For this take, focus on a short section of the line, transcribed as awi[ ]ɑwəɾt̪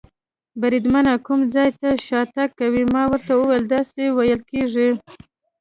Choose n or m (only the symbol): m